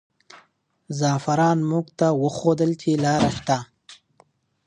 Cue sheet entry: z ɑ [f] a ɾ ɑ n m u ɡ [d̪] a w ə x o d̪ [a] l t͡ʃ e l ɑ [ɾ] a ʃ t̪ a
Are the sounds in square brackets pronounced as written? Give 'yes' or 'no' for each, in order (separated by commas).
yes, no, no, yes